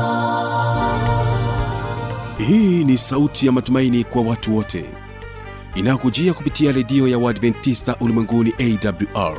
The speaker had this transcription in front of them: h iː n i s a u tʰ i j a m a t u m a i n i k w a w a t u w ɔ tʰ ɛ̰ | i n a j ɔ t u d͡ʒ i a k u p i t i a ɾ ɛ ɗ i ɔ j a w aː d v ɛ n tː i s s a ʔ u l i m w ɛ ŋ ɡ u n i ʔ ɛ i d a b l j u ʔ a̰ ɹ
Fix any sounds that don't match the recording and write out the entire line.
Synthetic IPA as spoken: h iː n i s a u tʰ i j a m a t u m a i n i k w a w a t u w ɔ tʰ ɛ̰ | i n a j ɔ k u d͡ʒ i a k u p i t i a ɾ ɛ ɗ i ɔ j a w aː d v ɛ n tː i s t a ʔ u l i m w ɛ ŋ ɡ u n i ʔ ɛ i d a b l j u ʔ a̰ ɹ